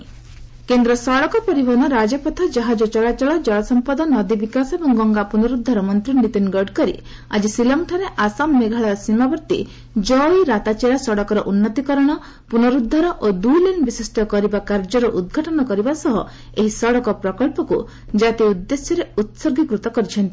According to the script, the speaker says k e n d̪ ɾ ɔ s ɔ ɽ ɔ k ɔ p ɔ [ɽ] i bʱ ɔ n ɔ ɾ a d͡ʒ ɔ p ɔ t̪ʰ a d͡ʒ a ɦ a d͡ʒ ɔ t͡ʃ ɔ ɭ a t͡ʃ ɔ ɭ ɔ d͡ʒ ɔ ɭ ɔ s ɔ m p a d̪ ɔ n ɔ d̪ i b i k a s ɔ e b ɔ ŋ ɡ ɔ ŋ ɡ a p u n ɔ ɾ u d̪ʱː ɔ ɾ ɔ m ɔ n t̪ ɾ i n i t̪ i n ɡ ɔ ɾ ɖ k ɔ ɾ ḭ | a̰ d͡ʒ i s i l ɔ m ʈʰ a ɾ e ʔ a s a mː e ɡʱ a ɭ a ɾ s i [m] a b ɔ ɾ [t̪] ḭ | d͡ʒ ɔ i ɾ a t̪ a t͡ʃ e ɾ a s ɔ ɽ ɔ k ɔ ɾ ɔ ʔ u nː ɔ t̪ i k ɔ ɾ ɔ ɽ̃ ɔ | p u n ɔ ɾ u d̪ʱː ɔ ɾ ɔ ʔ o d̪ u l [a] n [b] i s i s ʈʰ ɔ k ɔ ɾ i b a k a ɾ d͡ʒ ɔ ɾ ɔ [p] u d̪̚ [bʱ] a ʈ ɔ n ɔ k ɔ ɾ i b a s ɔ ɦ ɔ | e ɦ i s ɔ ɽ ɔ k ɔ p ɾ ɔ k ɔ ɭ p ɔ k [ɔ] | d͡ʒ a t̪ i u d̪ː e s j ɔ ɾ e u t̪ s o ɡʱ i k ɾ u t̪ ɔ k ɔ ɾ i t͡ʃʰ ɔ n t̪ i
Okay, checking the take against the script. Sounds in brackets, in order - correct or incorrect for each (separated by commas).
incorrect, correct, correct, incorrect, correct, incorrect, incorrect, incorrect